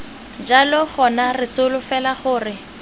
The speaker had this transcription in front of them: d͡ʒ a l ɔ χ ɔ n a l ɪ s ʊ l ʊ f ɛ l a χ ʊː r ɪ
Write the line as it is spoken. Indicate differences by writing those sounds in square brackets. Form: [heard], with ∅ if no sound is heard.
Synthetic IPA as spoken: d͡ʒ a l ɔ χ ɔ n a [r] ɪ s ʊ l ʊ f ɛ l a χ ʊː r ɪ